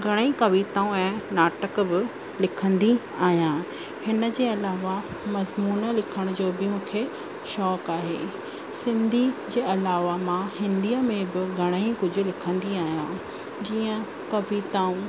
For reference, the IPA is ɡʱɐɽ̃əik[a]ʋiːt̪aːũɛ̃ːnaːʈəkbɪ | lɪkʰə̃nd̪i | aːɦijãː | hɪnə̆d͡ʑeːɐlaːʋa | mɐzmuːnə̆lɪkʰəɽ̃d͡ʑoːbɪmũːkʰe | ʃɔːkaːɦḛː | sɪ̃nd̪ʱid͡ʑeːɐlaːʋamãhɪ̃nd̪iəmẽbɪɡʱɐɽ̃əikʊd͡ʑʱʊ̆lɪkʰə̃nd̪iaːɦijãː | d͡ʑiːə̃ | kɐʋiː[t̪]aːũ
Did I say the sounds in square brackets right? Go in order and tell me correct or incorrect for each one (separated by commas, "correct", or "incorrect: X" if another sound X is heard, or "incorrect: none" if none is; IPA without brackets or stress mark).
incorrect: ɐ, correct